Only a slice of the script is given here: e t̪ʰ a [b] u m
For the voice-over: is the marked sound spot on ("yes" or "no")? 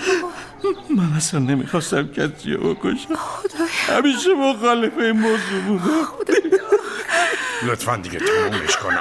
no